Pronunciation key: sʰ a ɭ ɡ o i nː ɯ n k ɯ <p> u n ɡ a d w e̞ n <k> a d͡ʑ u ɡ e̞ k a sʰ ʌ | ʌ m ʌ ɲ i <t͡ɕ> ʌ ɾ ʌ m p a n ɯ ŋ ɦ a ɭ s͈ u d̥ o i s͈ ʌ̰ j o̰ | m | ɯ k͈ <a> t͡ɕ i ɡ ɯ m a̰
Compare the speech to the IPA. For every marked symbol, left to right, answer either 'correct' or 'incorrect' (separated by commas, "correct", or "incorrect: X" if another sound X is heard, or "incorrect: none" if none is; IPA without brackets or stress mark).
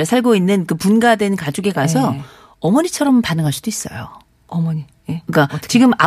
correct, correct, incorrect: t͡ɕʰ, correct